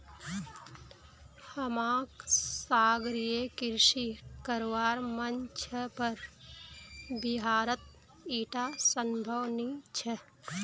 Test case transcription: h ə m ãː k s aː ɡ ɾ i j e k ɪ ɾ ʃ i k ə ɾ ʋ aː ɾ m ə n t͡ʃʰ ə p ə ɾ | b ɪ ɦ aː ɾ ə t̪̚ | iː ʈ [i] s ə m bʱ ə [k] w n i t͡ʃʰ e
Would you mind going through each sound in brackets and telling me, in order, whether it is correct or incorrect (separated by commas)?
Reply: incorrect, incorrect